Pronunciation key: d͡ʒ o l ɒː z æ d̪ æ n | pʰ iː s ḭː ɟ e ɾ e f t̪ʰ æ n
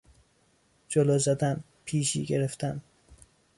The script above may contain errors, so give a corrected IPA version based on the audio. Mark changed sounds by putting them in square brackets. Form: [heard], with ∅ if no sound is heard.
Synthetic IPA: d͡ʒ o l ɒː z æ d̪ æ n | pʰ iː [ʃ] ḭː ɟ e ɾ e f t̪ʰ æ n

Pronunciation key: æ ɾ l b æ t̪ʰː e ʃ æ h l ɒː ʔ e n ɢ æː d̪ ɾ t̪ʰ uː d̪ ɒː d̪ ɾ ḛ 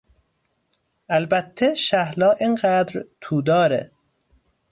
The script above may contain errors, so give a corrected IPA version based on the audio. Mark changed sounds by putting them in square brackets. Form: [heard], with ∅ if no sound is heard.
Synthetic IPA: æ [∅] l b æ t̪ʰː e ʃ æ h l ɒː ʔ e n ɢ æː d̪ ɾ t̪ʰ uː d̪ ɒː [∅] ɾ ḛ

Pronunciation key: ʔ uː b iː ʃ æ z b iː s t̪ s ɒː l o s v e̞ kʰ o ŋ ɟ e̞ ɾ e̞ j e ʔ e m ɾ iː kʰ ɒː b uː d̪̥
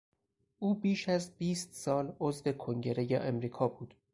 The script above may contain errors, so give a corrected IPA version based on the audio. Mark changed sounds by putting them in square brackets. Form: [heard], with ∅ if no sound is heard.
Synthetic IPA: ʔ uː b iː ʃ æ z b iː s t̪ s ɒː l o [z] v e̞ kʰ o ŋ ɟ e̞ ɾ e̞ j e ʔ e m ɾ iː kʰ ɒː b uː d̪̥

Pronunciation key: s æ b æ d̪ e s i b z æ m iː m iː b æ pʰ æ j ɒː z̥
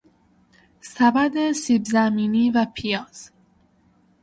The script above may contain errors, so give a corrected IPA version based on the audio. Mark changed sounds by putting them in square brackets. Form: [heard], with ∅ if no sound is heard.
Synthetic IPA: s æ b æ d̪ e s i b z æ m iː [n] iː [v] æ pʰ [i] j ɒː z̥

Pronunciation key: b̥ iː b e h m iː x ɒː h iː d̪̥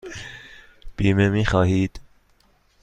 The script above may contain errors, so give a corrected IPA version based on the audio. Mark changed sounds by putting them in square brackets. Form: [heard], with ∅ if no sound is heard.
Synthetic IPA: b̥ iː [m] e [∅] m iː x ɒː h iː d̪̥

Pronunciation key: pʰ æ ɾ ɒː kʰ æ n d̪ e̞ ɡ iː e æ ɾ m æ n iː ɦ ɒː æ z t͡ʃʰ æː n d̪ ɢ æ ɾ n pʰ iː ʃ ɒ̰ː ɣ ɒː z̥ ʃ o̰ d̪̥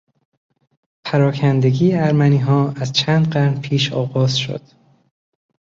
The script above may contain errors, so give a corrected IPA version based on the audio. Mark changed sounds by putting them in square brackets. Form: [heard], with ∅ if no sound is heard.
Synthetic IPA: pʰ æ ɾ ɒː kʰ æ n d̪ e̞ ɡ iː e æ ɾ m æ n iː ɦ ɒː æ z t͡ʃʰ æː n d̪ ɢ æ ɾ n pʰ iː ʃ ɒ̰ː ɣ ɒː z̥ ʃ o̰ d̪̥

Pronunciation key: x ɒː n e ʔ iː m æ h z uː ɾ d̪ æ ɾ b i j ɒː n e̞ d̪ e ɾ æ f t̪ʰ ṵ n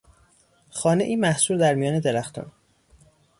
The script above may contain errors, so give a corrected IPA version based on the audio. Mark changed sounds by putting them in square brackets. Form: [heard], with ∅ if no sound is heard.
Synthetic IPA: x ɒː n e ʔ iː m æ h [s] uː ɾ d̪ æ ɾ [m] i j ɒː n e̞ d̪ e ɾ æ [x] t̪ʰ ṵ n

